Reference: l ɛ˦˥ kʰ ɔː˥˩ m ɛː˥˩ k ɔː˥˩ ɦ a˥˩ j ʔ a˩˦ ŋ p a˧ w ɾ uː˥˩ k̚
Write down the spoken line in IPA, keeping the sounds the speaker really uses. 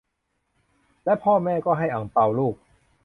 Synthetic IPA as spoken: l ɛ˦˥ pʰ ɔː˥˩ m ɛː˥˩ k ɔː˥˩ ɦ a˥˩ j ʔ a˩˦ ŋ p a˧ w l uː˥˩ k̚